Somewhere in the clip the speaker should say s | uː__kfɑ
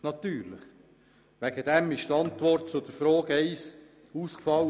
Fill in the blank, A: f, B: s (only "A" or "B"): B